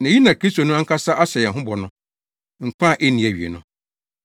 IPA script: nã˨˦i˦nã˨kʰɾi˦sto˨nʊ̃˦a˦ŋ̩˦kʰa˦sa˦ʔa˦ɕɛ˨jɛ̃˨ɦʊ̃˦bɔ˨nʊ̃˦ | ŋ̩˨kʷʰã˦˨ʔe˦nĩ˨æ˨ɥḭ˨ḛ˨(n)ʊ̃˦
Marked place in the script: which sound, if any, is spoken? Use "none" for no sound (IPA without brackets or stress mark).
n